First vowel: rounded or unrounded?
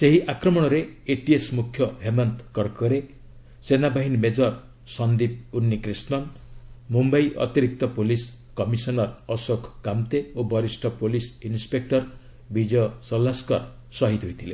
unrounded